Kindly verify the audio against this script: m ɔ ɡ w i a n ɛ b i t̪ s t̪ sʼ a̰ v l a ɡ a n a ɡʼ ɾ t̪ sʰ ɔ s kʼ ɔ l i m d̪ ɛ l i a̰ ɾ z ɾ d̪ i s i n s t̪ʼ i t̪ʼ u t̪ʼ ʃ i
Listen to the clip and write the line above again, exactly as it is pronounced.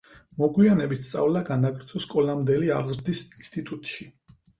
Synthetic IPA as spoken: m ɔ ɡ w i a n ɛ b i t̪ s t̪ sʼ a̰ v l a ɡ a n a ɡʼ ɾ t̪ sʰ ɔ s kʼ ɔ l a m d̪ ɛ l i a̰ ɾ z ɾ d̪ i s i n s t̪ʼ i t̪ʼ u t̪ʼ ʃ i

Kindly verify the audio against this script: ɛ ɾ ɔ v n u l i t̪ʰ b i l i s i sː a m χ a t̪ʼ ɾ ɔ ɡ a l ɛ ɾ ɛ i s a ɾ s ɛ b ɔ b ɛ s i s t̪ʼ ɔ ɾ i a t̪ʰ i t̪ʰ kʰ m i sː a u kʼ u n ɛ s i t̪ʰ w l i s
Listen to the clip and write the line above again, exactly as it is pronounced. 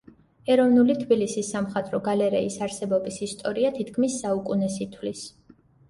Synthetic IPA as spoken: ɛ ɾ ɔ v n u l i t̪ʰ b i l i s i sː a m χ a t̪ʼ ɾ ɔ ɡ a l ɛ ɾ ɛ i s a ɾ s ɛ b ɔ b i s i s t̪ʼ ɔ ɾ i a t̪ʰ i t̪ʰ kʰ m i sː a u kʼ u n ɛ s i t̪ʰ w l i s

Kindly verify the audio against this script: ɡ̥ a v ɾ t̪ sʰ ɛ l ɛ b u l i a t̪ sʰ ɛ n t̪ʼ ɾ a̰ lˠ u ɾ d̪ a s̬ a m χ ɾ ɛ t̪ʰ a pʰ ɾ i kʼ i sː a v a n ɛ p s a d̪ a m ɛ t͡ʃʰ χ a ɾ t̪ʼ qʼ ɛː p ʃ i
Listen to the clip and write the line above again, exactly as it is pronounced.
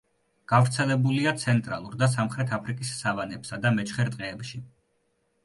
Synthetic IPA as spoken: ɡ̥ a v ɾ t̪ sʰ ɛ l ɛ b u l i a t̪ sʰ ɛ n t̪ʼ ɾ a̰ lˠ u ɾ d̪ a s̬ a m χ ɾ ɛ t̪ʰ a pʰ ɾ i kʼ i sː a v a n ɛ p s a d̪ a m ɛ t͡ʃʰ χ ɛ ɾ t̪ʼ qʼ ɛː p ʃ i

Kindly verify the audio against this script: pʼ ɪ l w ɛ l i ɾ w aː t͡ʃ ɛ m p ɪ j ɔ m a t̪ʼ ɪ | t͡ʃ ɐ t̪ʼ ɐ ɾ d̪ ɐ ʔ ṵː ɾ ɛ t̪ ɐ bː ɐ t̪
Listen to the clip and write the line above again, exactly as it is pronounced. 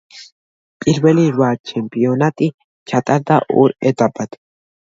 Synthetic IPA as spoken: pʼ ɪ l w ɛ l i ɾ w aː t͡ʃ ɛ m p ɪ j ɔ n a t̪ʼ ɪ | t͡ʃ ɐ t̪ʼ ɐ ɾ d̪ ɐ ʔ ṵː ɾ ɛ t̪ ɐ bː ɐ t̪

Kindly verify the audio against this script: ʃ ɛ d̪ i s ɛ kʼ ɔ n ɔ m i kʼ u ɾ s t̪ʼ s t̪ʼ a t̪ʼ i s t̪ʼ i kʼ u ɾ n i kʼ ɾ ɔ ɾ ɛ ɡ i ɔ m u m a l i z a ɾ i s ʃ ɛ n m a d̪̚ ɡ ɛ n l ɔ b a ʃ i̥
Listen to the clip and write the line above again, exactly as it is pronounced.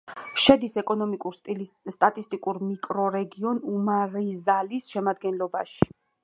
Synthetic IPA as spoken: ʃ ɛ d̪ i s ɛ kʼ ɔ n ɔ m i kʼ u ɾ s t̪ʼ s t̪ʼ a t̪ʼ i s t̪ʼ i kʼ u ɾ m i kʼ ɾ ɔ ɾ ɛ ɡ i ɔ n u m a ɾ i z a l i s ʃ ɛ m a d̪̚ ɡ ɛ n l ɔ b a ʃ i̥

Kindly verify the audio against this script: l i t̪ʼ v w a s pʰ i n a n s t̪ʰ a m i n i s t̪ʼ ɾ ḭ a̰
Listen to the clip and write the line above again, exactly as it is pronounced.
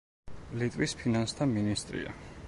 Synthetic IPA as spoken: l i t̪ʼ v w i s pʰ i n a n s t̪ʰ a m i n i s t̪ʼ ɾ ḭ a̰

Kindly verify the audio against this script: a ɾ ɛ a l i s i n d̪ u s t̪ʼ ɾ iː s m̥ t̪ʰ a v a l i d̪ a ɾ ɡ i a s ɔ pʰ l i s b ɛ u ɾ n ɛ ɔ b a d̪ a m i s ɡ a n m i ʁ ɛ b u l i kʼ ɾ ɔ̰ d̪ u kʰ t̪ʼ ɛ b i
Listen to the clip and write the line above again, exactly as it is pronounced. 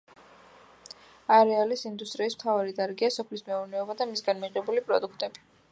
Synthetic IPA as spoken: a ɾ ɛ a l i s i n d̪ u s t̪ʼ ɾ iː s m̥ t̪ʰ a v a ɾ i d̪ a ɾ ɡ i a s ɔ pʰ l i s m ɛ u ɾ n ɛ ɔ b a d̪ a m i s ɡ a n m i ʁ ɛ b u l i pʼ ɾ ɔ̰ d̪ u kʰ t̪ʼ ɛ b i

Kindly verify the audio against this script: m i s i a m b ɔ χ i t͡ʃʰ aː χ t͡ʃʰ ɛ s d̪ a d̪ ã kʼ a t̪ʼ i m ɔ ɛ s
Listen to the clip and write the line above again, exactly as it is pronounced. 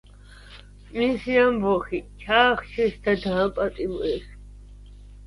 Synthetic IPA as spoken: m i s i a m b ɔ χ i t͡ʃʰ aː χ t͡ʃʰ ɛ s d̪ a d̪ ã pʼ a t̪ʼ i m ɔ ɛ s

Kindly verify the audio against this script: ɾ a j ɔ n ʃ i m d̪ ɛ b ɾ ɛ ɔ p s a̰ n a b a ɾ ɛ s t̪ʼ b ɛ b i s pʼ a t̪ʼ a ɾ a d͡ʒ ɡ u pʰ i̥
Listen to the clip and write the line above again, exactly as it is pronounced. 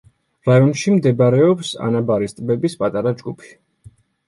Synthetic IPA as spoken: ɾ a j ɔ n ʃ i m d̪ ɛ b ɾ ɛ ɔ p s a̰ n a b a ɾ i s t̪ʼ b ɛ b i s pʼ a t̪ʼ a ɾ a d͡ʒ ɡ u pʰ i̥

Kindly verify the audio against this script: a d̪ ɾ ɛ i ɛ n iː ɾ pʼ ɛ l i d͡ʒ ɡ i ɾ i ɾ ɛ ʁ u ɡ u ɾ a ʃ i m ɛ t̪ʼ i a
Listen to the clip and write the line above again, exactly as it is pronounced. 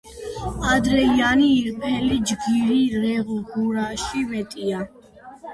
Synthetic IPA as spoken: a d̪ ɾ ɛ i a n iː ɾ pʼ ɛ l i d͡ʒ ɡ i ɾ i ɾ ɛ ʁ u ɡ u ɾ a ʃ i m ɛ t̪ʼ i a

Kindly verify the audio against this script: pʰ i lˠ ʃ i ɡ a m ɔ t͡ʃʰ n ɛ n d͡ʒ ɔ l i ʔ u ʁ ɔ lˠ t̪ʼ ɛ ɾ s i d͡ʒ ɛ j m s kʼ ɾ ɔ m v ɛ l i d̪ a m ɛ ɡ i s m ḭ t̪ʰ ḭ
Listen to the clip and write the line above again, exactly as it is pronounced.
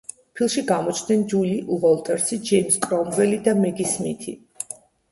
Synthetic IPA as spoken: pʰ i lˠ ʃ i ɡ a m ɔ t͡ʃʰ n ɛ n d͡ʒ u l i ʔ u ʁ ɔ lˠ t̪ʼ ɛ ɾ s i d͡ʒ ɛ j m s kʼ ɾ ɔ m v ɛ l i d̪ a m ɛ ɡ i s m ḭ t̪ʰ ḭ

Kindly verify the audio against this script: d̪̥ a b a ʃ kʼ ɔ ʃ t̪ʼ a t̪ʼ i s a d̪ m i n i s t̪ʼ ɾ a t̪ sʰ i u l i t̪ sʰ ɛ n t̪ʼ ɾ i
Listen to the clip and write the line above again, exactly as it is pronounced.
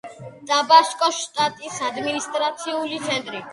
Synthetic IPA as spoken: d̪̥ a b a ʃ kʼ ɔ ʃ t̪ʼ a t̪ʼ i s a d̪ m i n i s t̪ʼ ɾ a t̪ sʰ i u l i t̪ sʰ ɛ n t̪ʼ ɾ i

